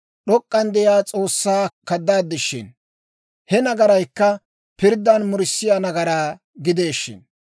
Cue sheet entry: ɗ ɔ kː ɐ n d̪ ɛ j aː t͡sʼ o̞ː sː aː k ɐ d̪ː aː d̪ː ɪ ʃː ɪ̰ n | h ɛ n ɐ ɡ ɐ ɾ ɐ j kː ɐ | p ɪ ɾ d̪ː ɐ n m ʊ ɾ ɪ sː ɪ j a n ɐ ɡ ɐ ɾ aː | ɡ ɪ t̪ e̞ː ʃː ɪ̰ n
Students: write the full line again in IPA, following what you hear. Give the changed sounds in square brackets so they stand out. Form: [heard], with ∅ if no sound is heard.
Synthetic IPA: ɗ ɔ [kʼː] ɐ n d̪ ɛ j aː t͡sʼ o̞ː sː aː k ɐ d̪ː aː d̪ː ɪ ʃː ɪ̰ n | h ɛ n ɐ ɡ ɐ ɾ ɐ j kː ɐ | p ɪ ɾ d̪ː ɐ n m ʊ ɾ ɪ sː ɪ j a n ɐ ɡ ɐ ɾ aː | ɡ ɪ [d̪] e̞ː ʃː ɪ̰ n